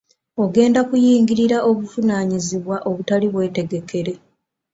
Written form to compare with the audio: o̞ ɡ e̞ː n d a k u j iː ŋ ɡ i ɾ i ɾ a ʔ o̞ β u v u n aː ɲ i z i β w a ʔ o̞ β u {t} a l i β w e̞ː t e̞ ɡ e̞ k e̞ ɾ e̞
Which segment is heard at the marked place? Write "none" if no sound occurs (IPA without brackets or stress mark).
t